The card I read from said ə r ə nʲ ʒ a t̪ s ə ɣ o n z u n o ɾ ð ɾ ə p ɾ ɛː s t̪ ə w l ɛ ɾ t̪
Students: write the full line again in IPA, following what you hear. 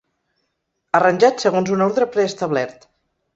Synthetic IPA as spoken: ə r ə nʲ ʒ a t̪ s ə ɣ o n z u n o ɾ ð ɾ ə p ɾ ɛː s t̪ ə β l ɛ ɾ t̪